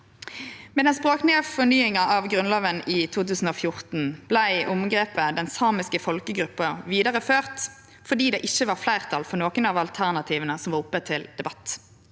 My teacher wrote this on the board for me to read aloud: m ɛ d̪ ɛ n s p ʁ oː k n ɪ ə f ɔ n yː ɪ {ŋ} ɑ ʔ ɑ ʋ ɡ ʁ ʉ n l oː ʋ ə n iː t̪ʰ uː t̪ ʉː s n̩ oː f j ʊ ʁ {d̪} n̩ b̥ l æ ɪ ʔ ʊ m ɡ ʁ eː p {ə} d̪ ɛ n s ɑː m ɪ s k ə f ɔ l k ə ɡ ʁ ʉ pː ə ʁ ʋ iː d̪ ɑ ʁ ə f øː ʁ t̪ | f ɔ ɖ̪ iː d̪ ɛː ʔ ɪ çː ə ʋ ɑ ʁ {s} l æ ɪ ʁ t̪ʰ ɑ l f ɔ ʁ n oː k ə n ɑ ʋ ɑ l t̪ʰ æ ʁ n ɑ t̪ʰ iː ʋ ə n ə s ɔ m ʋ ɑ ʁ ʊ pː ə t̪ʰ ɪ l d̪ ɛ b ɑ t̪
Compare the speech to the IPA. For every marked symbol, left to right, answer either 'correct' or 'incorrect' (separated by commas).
correct, incorrect, correct, incorrect